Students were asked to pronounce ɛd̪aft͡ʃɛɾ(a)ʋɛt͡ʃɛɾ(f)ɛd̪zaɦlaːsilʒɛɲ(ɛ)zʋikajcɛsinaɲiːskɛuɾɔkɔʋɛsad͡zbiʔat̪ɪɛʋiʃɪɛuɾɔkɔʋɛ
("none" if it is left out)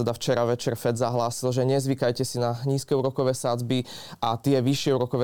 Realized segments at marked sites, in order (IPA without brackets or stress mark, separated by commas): a, f, ɛ